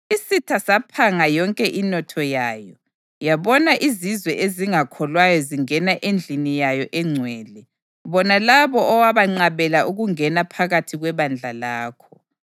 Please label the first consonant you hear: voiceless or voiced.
voiceless